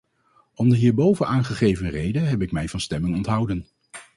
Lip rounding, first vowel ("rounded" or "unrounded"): rounded